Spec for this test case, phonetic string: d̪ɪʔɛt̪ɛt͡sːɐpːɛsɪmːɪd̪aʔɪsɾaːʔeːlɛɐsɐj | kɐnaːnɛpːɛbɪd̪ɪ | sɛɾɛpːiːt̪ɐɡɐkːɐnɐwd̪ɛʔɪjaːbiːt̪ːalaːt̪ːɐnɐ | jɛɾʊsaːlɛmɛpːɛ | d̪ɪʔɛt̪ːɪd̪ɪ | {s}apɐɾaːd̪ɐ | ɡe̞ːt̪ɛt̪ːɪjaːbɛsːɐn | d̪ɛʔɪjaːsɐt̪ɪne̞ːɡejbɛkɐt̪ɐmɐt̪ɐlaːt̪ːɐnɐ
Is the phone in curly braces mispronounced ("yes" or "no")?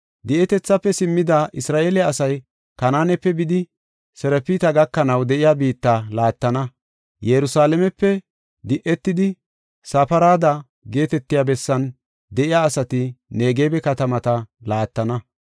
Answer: no